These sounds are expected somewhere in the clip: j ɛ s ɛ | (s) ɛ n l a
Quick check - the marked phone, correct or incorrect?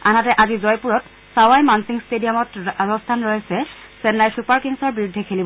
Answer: correct